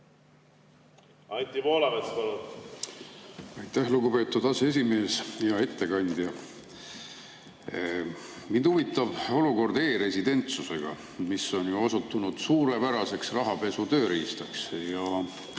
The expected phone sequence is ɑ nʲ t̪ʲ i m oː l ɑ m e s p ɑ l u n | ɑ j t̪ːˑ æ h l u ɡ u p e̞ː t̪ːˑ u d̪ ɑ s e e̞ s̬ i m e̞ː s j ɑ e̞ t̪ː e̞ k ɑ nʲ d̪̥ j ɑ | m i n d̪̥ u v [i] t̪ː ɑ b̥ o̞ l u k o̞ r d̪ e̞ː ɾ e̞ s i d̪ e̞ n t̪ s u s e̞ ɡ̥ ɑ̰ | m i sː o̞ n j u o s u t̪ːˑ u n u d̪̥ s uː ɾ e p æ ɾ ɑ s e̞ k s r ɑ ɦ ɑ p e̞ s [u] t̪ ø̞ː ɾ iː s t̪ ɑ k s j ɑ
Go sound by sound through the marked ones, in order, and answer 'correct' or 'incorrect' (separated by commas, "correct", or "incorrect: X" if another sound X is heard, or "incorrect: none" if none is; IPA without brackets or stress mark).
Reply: correct, correct